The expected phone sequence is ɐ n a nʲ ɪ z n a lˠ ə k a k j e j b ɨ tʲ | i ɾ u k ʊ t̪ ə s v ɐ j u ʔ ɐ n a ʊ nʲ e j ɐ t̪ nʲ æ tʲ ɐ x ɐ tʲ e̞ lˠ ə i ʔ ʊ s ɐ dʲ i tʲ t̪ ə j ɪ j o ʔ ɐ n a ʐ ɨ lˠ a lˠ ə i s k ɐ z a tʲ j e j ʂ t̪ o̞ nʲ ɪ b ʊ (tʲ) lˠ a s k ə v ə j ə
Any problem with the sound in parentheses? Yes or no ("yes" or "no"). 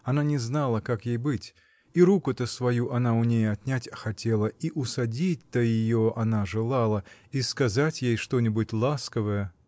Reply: no